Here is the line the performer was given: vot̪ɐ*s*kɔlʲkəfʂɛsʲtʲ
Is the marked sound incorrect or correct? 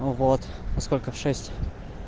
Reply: correct